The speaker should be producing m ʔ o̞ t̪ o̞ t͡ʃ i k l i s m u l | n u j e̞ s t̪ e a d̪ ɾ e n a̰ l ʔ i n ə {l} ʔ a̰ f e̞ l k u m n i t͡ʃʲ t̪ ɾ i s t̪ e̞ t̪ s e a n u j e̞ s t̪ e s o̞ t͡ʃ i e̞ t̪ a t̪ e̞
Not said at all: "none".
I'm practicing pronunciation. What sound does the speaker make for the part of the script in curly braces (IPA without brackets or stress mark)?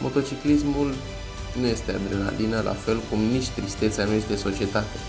l